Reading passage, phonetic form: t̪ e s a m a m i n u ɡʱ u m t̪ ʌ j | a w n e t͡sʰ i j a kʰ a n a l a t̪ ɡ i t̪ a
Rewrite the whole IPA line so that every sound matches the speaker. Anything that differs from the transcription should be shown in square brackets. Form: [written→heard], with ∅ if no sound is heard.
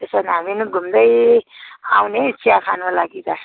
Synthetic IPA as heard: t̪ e s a [m→n] a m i n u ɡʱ u m [t̪→d̪] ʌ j | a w n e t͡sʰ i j a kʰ a n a l a [t̪→∅] ɡ i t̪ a